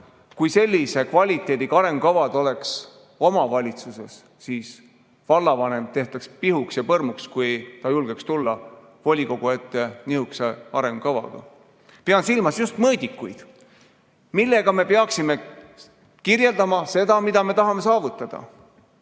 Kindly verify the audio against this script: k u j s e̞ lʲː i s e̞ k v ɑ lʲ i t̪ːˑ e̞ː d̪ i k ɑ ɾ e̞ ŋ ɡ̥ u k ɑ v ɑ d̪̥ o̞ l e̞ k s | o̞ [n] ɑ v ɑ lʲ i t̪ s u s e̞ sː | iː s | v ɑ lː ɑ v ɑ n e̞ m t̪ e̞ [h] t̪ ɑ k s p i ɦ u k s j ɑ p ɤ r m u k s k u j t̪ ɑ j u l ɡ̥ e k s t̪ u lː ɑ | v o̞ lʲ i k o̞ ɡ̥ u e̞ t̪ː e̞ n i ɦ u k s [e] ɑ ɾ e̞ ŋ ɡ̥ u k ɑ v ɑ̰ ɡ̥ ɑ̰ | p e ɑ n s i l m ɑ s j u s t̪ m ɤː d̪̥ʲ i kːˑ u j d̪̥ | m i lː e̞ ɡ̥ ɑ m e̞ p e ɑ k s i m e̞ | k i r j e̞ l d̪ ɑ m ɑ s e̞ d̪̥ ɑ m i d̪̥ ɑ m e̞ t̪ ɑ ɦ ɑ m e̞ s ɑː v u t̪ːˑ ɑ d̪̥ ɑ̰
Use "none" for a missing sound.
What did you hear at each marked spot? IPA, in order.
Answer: m, h, e

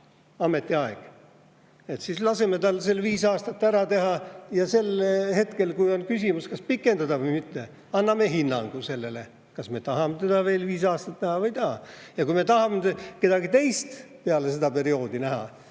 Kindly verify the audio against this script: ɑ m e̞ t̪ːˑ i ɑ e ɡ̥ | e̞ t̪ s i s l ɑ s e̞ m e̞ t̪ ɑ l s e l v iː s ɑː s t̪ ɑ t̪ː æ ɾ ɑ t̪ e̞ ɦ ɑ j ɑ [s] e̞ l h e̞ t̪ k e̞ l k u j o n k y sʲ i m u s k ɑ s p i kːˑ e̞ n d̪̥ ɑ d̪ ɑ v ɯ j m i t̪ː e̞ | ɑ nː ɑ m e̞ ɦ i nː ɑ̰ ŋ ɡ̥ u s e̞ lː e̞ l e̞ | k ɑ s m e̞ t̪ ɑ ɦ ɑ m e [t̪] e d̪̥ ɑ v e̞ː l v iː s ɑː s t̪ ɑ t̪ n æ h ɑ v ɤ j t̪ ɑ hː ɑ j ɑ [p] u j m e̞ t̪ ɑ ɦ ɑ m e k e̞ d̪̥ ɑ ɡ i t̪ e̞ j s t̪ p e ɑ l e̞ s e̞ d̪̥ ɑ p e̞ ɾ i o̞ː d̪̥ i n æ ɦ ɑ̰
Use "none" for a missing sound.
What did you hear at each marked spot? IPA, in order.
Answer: s, t̪, k

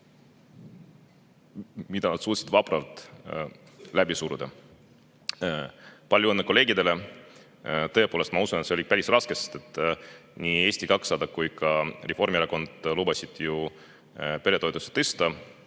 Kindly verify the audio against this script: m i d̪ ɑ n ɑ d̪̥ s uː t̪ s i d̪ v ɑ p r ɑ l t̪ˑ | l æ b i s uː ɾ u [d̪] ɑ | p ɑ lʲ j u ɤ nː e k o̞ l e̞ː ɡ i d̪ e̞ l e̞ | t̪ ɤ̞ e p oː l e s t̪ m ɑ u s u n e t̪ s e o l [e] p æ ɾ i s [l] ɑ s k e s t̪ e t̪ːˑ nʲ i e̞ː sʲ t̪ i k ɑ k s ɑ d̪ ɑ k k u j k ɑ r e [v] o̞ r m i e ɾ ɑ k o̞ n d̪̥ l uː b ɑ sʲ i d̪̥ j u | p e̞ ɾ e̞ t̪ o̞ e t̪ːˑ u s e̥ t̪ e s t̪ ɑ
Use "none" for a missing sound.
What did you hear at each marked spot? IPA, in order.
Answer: d̪, i, r, f

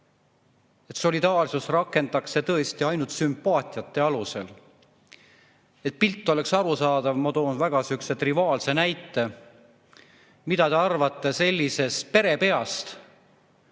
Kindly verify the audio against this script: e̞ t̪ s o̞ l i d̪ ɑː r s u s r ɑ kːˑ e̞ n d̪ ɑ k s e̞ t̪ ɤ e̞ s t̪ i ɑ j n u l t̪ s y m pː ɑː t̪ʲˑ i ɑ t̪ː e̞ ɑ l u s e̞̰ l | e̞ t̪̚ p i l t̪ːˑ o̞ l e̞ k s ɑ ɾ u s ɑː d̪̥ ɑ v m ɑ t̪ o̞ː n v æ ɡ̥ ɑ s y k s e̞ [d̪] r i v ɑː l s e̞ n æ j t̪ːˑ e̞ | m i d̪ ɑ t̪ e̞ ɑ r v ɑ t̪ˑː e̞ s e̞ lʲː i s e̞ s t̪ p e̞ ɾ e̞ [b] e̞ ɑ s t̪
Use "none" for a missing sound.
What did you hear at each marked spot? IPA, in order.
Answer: t̪, p

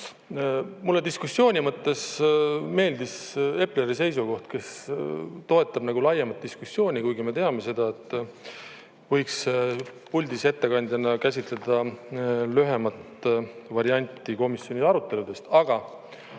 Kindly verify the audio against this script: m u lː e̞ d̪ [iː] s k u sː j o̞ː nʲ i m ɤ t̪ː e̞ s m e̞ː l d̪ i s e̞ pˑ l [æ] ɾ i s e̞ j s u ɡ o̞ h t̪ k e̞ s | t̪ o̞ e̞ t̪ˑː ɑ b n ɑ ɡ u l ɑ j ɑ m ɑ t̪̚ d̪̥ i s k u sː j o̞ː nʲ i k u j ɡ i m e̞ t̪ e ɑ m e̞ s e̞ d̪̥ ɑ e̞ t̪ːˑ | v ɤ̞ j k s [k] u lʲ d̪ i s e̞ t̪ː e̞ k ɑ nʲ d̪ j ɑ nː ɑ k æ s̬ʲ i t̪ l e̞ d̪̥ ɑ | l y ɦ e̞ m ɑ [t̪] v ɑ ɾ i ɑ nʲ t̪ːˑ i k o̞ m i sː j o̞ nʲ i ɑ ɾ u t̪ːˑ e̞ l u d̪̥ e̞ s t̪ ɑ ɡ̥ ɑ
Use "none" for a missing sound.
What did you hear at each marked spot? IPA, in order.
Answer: i, e, p, t̪

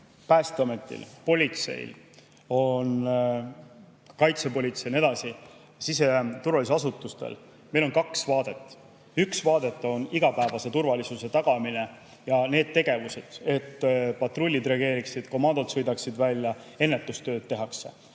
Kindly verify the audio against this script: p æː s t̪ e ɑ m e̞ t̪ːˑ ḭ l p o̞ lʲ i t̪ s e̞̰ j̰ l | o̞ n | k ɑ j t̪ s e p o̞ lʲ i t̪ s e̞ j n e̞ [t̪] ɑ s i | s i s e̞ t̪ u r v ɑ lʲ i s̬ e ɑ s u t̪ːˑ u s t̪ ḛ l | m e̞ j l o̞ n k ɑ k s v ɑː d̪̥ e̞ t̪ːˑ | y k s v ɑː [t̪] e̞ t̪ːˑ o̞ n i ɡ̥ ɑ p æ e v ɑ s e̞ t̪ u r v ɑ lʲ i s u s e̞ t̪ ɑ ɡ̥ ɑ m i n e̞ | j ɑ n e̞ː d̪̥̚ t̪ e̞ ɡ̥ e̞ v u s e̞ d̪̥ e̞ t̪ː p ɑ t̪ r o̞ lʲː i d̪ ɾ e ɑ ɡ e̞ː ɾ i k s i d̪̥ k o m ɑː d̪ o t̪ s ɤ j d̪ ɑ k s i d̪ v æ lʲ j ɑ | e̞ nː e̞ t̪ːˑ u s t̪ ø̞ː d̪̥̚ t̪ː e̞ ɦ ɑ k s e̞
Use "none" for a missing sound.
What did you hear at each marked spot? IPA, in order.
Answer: d̪, d̪

